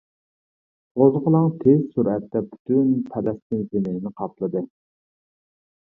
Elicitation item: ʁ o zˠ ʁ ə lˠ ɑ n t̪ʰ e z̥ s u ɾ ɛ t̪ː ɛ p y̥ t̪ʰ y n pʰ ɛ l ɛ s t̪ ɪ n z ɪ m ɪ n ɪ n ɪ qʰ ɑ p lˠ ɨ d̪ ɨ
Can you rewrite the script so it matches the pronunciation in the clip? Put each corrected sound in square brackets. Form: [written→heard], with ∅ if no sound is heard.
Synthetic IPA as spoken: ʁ o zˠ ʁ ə lˠ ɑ [n→ŋ] t̪ʰ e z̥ s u ɾ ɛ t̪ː ɛ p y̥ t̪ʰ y n pʰ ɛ l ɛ s t̪ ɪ n z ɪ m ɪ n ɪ n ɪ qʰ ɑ p lˠ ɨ d̪ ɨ